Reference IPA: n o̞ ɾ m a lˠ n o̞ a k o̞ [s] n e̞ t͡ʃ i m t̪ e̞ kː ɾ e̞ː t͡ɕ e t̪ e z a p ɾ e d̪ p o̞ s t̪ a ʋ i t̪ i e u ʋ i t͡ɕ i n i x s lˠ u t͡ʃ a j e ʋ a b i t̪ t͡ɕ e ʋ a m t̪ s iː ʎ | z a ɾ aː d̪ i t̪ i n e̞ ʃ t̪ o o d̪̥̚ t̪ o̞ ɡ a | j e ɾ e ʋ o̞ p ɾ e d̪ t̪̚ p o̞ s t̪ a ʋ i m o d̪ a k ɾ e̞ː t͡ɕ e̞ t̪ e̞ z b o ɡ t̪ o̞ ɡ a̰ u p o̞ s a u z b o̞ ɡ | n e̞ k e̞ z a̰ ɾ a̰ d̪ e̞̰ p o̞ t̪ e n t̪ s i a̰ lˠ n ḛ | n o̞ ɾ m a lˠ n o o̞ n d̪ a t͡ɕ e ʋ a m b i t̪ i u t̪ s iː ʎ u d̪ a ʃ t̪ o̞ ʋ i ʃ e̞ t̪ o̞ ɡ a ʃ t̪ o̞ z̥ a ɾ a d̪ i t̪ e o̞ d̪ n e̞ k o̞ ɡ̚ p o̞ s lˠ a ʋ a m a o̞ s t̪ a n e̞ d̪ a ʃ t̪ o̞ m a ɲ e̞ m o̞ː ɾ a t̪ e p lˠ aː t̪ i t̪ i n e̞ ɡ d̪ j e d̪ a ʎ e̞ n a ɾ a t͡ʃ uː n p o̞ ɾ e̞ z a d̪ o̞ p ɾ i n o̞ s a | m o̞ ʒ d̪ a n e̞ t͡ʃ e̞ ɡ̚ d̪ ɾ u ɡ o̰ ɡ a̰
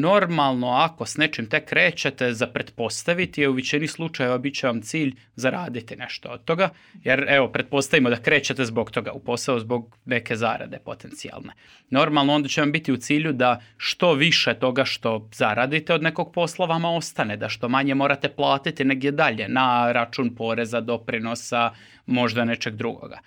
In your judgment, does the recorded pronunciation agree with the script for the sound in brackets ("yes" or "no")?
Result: yes